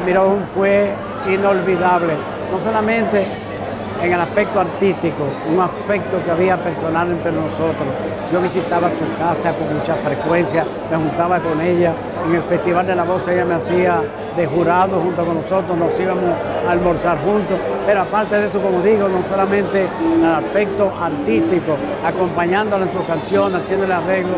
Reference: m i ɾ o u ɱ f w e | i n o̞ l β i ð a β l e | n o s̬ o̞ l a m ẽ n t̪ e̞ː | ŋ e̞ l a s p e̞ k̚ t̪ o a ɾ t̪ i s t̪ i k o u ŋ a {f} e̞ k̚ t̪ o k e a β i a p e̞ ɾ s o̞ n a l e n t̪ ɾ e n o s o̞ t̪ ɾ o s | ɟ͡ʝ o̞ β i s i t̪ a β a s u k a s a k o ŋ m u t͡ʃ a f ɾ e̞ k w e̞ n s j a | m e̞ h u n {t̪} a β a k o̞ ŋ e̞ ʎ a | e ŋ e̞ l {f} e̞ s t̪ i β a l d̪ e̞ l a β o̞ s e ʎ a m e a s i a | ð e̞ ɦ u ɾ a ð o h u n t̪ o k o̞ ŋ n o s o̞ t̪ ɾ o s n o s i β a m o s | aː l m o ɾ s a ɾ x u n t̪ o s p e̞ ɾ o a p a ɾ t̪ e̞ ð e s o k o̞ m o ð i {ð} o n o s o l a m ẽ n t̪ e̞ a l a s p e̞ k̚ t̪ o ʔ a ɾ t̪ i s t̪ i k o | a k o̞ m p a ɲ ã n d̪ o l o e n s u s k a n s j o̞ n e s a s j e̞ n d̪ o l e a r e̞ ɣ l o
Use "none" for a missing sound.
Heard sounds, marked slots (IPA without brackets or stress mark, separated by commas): f, t̪, f, ɣ